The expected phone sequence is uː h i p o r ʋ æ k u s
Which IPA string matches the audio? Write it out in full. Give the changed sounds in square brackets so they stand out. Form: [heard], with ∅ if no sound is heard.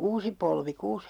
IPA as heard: uː [s] i p o [l] ʋ [i] k [uː] s